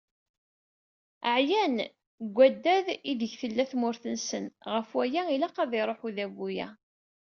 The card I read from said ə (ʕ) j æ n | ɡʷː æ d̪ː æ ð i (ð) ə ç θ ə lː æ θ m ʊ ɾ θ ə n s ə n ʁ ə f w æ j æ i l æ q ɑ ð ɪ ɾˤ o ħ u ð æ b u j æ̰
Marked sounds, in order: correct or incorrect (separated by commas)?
correct, correct